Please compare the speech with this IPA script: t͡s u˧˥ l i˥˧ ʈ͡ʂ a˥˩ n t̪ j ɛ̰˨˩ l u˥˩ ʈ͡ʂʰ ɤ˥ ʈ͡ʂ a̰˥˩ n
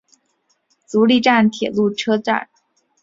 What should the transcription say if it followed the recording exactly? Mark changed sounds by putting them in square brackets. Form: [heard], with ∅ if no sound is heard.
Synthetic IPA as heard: t͡s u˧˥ l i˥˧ ʈ͡ʂ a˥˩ n [t̪ʰ] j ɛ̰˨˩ l u˥˩ ʈ͡ʂʰ ɤ˥ ʈ͡ʂ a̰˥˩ n